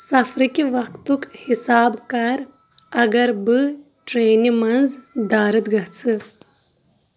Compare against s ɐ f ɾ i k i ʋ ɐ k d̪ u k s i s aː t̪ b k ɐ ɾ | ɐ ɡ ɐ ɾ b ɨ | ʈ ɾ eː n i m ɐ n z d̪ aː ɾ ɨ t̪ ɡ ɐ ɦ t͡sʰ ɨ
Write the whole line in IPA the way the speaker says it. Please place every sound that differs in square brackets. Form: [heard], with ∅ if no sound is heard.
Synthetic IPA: s ɐ f ɾ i k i ʋ ɐ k [t̪] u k [h] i s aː [∅] b k ɐ ɾ | ɐ ɡ ɐ ɾ b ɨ | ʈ ɾ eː n i m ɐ n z d̪ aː ɾ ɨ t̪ ɡ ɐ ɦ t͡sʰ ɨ

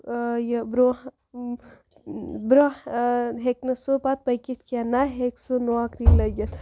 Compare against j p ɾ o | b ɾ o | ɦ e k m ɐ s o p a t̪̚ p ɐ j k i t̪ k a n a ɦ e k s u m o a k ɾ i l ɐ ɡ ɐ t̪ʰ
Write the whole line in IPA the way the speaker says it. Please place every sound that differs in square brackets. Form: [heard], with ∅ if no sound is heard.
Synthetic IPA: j [b] ɾ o | b ɾ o | ɦ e k [n] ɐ s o p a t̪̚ p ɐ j k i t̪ k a n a ɦ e k s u [n] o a k ɾ i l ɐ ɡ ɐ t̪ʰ

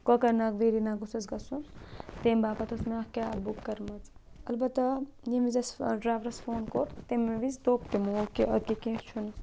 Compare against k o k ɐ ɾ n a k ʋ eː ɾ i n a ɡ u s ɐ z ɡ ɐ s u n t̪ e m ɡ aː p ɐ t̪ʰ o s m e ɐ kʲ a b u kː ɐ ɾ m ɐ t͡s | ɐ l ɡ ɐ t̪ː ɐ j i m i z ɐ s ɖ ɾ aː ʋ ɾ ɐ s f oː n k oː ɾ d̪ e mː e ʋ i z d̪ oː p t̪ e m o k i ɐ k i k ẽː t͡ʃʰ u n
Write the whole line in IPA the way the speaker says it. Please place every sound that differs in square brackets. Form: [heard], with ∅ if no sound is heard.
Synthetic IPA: k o k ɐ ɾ n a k ʋ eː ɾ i n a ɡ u s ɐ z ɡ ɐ s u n t̪ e m [b] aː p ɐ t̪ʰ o s m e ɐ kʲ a b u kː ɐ ɾ m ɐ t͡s | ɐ l [b] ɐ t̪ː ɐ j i m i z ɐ s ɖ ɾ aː ʋ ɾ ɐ s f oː n k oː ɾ [t̪] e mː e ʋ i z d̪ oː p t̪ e m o k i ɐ k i k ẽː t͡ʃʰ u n

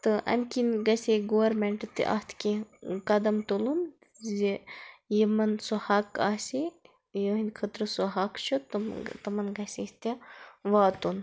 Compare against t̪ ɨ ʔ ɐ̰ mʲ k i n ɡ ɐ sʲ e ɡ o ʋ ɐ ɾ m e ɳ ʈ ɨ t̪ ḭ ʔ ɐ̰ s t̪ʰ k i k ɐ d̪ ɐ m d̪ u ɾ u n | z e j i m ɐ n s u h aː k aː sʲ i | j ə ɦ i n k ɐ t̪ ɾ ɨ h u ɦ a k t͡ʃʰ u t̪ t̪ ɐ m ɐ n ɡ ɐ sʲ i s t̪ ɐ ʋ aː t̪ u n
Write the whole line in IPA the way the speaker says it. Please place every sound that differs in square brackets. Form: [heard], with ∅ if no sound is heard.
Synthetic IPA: t̪ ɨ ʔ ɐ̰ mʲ k i n ɡ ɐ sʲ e ɡ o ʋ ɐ ɾ m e ɳ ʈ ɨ t̪ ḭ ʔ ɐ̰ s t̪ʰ k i k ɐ d̪ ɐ m [t̪] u [l] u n | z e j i m ɐ n s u h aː k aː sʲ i | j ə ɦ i n [kʰ] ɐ t̪ ɾ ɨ [s] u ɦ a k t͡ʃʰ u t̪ t̪ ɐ m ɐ n ɡ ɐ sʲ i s t̪ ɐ ʋ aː t̪ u n

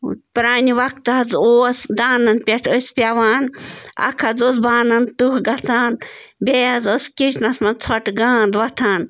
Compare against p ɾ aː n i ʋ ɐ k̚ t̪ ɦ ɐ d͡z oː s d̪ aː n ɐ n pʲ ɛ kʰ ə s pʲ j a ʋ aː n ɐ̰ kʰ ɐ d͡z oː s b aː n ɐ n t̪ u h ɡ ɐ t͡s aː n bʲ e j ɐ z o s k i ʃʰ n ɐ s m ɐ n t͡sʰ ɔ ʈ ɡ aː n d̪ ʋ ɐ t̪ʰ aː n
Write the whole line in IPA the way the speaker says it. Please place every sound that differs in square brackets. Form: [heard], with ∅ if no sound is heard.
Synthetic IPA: p ɾ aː n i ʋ ɐ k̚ t̪ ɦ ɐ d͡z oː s d̪ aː n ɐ n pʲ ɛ [ʈʰ] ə s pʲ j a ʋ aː n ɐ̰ kʰ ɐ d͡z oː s b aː n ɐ n t̪ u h ɡ ɐ t͡s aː n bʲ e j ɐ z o s k i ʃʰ n ɐ s m ɐ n t͡sʰ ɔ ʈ ɡ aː n d̪ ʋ ɐ t̪ʰ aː n

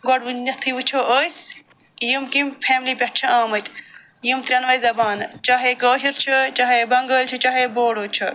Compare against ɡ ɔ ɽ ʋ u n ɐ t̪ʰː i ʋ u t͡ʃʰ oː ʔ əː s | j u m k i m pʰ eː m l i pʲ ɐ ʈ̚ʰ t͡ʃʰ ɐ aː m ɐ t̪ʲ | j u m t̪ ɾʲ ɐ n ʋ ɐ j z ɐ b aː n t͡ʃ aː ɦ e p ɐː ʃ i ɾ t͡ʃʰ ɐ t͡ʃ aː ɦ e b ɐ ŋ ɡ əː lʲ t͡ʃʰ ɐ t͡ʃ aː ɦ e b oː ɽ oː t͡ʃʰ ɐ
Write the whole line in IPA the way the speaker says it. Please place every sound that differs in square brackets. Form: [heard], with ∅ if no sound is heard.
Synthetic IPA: ɡ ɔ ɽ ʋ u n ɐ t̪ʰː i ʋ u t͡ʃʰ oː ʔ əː s | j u m k i m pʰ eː m l i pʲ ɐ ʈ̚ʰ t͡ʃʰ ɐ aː m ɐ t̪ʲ | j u m t̪ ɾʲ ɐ n ʋ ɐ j z ɐ b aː n t͡ʃ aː ɦ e [k] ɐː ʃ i ɾ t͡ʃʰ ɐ t͡ʃ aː ɦ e b ɐ ŋ ɡ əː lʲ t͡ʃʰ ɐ t͡ʃ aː ɦ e b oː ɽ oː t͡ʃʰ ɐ

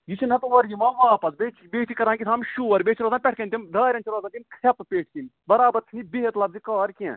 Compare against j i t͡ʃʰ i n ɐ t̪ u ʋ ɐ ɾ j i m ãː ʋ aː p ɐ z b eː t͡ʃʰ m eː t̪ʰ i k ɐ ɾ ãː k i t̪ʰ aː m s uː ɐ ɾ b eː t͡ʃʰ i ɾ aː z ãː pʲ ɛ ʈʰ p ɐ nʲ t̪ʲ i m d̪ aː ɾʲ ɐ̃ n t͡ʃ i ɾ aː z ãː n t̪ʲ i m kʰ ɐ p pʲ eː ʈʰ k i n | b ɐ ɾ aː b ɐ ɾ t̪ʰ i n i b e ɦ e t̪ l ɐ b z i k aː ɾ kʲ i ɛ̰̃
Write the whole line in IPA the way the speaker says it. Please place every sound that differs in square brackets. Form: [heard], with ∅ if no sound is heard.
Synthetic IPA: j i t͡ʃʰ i n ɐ t̪ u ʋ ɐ ɾ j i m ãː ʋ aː p ɐ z b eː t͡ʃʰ [b] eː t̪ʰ i k ɐ ɾ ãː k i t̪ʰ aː m [ʃ] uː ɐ ɾ b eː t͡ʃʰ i ɾ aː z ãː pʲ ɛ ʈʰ [k] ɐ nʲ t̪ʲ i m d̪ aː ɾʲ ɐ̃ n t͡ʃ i ɾ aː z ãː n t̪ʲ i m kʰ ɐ p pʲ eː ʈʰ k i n | b ɐ ɾ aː b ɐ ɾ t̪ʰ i n i b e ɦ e t̪ l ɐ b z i k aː ɾ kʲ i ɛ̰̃

